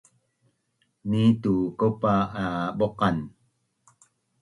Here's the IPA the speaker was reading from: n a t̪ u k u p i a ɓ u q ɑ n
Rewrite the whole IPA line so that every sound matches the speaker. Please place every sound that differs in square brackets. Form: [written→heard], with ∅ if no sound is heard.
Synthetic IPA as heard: n [a→i] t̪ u k [u→o] p [i→a] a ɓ [u→o] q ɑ n

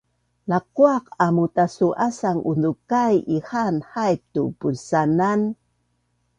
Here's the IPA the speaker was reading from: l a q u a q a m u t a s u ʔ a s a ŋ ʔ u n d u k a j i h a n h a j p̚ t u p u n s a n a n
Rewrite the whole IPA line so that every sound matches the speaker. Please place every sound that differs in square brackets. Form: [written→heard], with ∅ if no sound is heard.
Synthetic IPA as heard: l a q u a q a m u t a s u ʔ a s a ŋ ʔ u n d u k a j i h a n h a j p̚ t u p u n s a n a n

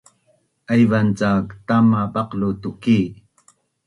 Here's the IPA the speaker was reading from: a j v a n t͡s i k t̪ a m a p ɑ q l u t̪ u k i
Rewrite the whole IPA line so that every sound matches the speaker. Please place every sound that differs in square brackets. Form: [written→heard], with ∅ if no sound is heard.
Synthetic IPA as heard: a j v a n t͡s [i→a] k t̪ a m a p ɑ q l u t̪ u k i

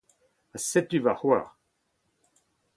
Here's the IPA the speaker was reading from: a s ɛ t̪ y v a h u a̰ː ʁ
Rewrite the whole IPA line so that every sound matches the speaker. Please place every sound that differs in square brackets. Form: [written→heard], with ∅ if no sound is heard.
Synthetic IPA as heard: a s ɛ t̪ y v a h [u→w] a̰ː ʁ

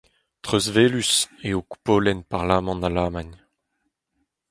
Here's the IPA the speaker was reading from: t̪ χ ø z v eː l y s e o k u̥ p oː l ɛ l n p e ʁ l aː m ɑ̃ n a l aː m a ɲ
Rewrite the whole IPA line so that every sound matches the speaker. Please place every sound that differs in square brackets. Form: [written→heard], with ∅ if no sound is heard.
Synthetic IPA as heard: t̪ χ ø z v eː l y s e o k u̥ p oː l ɛ [l→∅] n p [e→a] ʁ l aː m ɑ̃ n a l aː m a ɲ

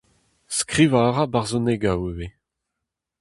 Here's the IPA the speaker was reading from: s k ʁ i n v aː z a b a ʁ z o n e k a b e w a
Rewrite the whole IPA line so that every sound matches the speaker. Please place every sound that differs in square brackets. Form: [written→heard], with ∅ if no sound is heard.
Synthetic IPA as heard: s k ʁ i [n→∅] v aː [z→ʁ] a b a ʁ z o n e [k→ɡ] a [b→w] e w [a→e]

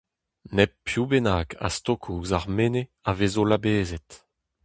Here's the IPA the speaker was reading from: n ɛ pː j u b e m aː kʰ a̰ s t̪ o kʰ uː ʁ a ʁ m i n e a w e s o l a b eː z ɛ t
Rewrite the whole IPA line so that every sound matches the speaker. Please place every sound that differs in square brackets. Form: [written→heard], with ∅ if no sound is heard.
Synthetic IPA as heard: n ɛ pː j u b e [m→n] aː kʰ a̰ s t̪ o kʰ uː [ʁ→z] a ʁ m [i→e] n e a [w→v] e [s→z] o l a b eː z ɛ t

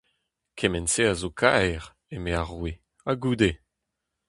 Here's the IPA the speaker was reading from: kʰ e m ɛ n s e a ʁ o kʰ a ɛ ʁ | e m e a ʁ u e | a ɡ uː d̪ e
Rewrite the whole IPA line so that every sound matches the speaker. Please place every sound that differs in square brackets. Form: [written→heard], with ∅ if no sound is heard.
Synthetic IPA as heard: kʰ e m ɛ n s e a [ʁ→z] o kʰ a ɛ ʁ | e m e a ʁ [u→w] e | a ɡ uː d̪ e

